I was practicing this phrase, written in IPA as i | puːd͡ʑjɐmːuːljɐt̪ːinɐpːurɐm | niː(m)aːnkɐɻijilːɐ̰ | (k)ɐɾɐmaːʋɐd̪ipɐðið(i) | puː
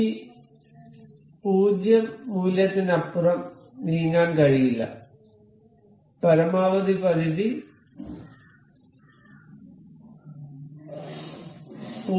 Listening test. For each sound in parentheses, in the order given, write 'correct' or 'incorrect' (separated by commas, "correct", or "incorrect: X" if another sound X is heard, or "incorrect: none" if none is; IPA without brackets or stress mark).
incorrect: ŋ, incorrect: p, correct